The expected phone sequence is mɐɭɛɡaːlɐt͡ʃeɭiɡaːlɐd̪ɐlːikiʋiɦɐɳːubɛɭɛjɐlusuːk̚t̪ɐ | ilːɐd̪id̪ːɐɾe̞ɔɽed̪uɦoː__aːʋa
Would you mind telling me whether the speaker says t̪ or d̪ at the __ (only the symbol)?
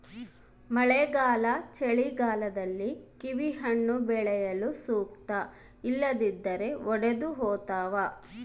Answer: t̪